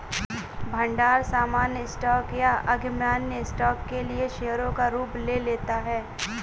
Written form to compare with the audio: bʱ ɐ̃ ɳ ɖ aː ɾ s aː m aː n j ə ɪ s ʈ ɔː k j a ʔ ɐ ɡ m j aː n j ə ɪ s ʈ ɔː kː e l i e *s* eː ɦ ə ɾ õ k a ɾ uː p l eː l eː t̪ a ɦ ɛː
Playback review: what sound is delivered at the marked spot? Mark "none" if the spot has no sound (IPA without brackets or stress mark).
ʃ